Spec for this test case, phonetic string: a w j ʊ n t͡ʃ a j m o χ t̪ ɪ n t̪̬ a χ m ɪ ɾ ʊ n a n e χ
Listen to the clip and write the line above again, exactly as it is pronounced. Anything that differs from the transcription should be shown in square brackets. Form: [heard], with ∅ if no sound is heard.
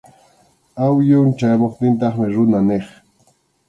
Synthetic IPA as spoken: a w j ʊ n t͡ʃ a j m o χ t̪ ɪ n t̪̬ [ɑ] χ m ɪ ɾ ʊ n a n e χ